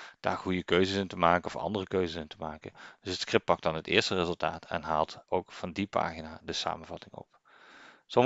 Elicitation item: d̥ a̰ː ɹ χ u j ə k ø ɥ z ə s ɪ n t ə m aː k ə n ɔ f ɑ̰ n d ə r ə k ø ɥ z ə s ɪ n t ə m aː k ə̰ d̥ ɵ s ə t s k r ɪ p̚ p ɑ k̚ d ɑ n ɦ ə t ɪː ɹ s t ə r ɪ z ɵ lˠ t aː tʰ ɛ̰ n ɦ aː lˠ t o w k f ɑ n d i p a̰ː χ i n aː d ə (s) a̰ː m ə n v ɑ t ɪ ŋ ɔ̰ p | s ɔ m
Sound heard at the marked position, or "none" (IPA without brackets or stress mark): s